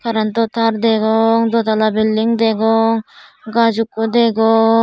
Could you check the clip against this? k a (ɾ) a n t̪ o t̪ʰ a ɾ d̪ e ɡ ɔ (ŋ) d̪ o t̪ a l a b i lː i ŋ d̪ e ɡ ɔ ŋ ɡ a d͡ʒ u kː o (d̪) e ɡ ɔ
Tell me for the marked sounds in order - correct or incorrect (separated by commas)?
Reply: correct, correct, correct